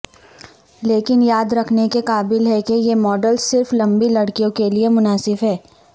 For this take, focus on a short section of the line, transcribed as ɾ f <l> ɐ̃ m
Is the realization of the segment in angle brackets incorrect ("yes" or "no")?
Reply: no